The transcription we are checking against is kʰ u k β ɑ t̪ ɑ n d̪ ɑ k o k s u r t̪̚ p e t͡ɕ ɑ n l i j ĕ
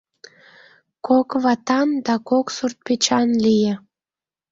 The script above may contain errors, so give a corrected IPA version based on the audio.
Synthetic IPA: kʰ o k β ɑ t̪ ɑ n d̪ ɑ k o k s u r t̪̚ p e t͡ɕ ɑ n l i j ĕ